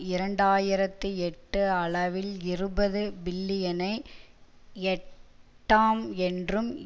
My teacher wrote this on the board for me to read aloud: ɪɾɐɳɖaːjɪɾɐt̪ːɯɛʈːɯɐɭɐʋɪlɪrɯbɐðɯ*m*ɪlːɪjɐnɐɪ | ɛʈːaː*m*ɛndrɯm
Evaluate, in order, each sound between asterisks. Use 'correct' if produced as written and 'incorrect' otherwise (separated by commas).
incorrect, correct